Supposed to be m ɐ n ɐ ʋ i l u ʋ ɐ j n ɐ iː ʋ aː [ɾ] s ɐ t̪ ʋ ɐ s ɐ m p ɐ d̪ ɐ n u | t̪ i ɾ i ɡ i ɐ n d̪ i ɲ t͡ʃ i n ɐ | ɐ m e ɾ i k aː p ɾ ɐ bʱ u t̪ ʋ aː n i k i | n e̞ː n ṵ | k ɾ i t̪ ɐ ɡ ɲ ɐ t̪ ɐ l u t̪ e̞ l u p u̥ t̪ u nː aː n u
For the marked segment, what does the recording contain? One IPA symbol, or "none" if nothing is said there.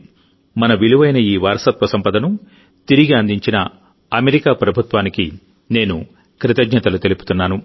ɾ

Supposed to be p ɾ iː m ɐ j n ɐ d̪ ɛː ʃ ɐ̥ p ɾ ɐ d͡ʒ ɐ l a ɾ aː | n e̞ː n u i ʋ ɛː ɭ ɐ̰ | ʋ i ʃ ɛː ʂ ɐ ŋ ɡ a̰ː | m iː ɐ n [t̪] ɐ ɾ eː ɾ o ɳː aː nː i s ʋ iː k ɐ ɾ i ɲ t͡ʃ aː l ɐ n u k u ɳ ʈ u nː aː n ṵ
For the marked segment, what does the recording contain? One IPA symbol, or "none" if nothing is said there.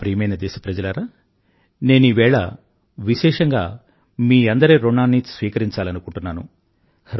d̪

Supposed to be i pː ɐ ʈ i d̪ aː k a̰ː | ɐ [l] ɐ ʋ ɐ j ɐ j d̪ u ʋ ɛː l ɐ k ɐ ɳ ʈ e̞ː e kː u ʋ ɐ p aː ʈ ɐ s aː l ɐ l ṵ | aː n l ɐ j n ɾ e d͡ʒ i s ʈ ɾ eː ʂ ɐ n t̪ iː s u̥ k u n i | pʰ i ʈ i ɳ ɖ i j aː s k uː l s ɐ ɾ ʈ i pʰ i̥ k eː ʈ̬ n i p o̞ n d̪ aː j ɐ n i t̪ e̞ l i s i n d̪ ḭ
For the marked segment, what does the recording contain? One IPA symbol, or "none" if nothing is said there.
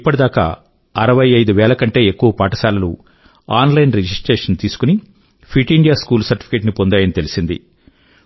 ɾ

